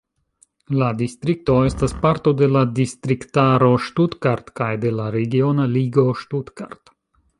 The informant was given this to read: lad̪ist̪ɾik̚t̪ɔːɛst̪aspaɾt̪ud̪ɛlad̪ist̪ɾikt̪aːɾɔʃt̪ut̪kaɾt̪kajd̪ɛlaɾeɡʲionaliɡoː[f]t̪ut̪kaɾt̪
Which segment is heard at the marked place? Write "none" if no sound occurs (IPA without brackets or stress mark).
ʃ